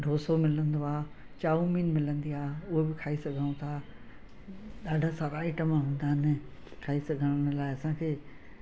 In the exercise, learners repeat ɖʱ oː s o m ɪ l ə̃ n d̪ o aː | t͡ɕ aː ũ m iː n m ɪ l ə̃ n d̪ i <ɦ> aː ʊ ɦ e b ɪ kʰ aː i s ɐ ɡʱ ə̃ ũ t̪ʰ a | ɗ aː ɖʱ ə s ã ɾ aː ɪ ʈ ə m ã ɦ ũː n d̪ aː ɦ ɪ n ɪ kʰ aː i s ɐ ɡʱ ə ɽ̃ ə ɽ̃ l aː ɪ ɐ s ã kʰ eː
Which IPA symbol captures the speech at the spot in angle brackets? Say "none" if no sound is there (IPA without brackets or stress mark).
none